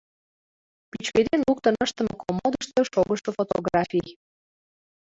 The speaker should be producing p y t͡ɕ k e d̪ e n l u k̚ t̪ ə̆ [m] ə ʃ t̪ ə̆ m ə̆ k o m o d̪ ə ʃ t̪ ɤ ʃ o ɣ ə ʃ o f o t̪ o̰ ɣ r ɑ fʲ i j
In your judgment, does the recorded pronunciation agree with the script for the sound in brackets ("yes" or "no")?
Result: no